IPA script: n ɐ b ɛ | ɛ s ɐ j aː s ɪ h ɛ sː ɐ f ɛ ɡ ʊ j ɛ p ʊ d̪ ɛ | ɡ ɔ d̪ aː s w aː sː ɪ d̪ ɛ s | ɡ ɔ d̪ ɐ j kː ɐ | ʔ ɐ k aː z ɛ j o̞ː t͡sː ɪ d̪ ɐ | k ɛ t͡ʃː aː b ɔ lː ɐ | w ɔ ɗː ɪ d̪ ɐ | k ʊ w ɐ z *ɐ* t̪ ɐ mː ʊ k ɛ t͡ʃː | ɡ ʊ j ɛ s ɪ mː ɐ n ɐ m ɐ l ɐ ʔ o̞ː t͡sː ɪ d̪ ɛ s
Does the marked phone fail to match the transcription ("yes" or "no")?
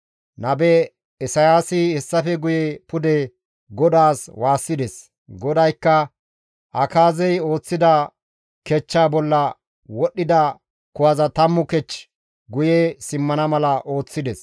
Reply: no